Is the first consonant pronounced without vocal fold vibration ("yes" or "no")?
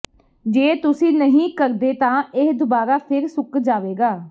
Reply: no